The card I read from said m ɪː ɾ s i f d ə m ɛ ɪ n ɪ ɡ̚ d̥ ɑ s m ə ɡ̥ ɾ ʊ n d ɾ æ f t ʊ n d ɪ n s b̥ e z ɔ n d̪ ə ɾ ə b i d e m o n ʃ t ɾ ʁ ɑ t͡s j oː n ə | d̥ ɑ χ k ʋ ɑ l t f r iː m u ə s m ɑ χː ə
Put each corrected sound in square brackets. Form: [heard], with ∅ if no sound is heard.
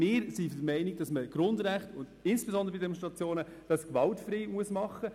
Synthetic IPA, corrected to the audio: m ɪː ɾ s i f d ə m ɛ ɪ n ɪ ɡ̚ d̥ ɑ s m ə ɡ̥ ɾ ʊ n d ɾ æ [χ] t ʊ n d ɪ n s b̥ e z ɔ n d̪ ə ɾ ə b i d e m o n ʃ t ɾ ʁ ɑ t͡s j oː n ə | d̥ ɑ [s] k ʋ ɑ l t f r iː m u ə s m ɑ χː ə